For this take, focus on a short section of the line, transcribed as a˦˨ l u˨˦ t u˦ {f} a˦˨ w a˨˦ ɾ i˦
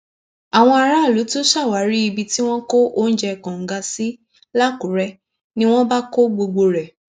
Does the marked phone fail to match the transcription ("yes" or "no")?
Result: yes